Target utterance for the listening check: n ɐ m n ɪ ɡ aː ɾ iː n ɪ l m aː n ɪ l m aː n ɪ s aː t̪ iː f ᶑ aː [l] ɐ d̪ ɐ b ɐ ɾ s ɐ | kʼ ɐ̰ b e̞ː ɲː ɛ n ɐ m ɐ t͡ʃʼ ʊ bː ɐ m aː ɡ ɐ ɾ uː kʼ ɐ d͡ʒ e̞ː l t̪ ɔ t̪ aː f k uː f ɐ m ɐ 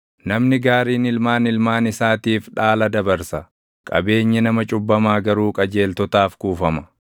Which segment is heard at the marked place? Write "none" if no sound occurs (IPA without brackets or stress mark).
l